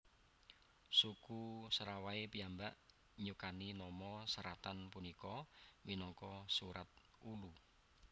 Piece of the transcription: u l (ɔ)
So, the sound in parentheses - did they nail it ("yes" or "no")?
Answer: no